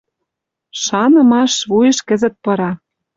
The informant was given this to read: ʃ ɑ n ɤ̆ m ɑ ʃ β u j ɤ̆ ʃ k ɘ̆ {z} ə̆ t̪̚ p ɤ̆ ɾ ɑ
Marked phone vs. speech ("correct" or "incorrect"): correct